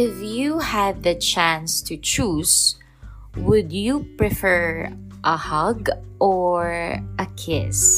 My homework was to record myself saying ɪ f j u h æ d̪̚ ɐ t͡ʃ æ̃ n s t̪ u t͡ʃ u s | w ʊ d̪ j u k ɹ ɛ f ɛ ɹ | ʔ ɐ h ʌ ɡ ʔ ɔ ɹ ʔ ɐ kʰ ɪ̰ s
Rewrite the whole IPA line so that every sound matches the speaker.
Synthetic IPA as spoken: ɪ f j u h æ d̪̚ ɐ t͡ʃ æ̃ n s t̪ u t͡ʃ u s | w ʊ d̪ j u p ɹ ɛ f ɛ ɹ | ʔ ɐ h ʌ ɡ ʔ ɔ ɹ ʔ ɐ kʰ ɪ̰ s